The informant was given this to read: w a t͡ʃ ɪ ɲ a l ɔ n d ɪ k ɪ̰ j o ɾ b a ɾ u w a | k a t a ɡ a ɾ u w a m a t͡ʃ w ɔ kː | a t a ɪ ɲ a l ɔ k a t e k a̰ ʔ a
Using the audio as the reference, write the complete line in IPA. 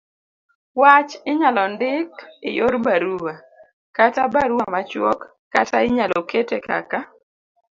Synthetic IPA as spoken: w a t͡ʃ ɪ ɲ a l ɔ n d ɪ k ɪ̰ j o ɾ b a ɾ u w a | k a t a b a ɾ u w a m a t͡ʃ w ɔ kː | a t a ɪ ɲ a l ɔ k e t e k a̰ k a